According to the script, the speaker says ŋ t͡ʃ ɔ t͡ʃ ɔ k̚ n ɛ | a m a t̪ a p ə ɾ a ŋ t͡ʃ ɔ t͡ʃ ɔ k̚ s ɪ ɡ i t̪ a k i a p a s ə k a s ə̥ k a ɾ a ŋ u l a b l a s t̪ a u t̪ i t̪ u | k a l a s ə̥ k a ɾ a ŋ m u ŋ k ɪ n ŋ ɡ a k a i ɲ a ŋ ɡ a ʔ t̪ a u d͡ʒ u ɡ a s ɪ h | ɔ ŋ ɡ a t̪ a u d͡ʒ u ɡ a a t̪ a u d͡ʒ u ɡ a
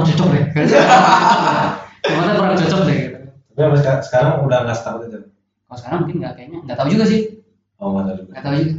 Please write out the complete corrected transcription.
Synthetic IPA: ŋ t͡ʃ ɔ t͡ʃ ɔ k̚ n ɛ | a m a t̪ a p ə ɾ a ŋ t͡ʃ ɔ t͡ʃ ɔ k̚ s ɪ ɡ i t̪ a p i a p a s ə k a s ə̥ k a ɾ a ŋ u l a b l a s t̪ a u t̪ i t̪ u | k a l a s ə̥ k a ɾ a ŋ m u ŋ k ɪ n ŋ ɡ a k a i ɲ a ŋ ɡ a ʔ t̪ a u d͡ʒ u ɡ a s ɪ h | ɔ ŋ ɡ a t̪ a u d͡ʒ u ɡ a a t̪ a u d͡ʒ u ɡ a